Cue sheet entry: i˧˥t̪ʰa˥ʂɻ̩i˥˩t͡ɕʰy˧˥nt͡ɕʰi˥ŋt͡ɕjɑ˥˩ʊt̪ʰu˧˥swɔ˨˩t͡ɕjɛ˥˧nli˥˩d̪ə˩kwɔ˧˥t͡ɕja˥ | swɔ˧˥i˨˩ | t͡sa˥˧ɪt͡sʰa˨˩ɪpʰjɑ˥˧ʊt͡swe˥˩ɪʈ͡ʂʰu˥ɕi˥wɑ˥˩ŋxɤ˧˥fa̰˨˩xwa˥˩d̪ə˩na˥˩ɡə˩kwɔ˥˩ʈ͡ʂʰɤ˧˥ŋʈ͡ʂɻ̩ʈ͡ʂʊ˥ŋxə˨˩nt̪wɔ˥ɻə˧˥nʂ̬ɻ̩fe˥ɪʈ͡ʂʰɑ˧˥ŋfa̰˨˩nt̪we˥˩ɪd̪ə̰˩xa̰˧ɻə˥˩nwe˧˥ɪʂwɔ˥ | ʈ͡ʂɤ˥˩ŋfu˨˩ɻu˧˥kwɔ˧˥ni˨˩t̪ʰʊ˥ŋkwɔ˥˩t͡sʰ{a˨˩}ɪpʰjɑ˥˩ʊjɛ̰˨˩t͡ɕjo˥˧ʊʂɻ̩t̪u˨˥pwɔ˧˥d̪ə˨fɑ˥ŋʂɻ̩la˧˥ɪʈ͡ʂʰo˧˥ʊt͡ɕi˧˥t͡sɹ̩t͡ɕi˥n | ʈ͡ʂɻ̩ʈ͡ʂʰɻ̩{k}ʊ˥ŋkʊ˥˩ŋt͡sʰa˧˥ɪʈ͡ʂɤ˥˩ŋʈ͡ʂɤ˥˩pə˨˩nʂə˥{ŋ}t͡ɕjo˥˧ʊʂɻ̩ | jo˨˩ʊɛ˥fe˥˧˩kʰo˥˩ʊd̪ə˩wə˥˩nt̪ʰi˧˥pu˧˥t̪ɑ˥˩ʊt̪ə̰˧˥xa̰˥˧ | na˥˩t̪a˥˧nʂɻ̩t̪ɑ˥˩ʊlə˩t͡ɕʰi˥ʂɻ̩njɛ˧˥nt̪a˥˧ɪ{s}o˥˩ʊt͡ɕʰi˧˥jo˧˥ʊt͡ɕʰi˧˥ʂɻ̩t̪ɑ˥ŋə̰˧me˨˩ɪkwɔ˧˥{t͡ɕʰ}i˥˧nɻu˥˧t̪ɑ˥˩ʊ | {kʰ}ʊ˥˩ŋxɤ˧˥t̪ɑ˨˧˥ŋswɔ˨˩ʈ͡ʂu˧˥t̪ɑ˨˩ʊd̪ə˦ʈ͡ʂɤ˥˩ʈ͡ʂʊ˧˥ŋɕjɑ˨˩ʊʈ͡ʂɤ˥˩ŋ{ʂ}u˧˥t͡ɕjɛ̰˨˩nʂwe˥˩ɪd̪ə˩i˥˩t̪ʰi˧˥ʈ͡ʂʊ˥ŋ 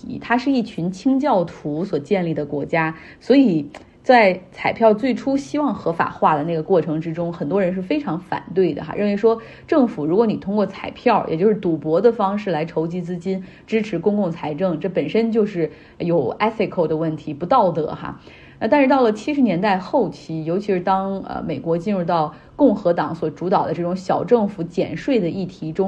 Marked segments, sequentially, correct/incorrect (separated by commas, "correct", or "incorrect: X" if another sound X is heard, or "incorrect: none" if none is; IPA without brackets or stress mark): correct, correct, incorrect: n, incorrect: x, incorrect: t͡ɕ, incorrect: k, incorrect: f